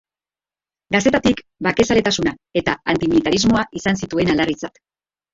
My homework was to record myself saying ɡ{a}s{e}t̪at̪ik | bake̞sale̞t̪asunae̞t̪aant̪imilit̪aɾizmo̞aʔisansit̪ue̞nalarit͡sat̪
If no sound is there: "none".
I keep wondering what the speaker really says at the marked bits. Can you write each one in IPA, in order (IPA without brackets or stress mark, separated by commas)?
a, e